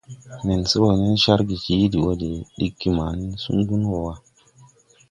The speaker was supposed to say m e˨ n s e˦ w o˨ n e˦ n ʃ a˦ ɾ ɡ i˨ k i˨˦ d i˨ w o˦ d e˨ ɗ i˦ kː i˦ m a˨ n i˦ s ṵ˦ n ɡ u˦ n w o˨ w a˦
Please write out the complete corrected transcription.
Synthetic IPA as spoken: n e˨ n s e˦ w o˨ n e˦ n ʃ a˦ ɾ ɡ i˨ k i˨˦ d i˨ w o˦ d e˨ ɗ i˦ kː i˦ m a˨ n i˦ s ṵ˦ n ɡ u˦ n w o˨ w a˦